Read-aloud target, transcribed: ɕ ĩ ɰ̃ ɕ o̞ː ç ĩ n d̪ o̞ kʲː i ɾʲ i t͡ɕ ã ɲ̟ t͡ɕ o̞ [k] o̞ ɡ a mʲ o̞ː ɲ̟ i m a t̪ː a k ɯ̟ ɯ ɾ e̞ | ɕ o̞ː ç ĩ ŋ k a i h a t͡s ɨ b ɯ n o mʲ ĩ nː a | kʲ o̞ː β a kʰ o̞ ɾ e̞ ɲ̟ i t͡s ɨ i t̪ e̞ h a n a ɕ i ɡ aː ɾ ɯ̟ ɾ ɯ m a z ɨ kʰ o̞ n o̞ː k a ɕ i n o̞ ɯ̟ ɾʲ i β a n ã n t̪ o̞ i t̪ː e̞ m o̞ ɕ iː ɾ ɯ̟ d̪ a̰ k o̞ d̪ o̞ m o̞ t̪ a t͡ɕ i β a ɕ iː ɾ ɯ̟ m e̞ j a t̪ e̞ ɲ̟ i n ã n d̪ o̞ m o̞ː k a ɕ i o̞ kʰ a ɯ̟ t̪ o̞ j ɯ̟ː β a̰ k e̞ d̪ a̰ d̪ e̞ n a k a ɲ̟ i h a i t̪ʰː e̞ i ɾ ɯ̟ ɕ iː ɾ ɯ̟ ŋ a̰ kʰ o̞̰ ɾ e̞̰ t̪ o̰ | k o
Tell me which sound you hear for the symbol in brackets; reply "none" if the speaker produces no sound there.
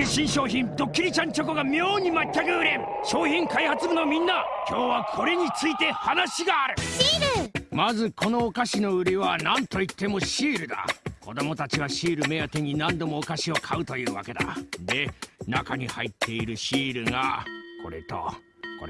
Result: k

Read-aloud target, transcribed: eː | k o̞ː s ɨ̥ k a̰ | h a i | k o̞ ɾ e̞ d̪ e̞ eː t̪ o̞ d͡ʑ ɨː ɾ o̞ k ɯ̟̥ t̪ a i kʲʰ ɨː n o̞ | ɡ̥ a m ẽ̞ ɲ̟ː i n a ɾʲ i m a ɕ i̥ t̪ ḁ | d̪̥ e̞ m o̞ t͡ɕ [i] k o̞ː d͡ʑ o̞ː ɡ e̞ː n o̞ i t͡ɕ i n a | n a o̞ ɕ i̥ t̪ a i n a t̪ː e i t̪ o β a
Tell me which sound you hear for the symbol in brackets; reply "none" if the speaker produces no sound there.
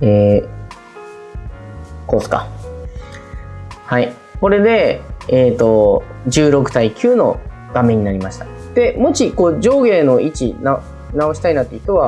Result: i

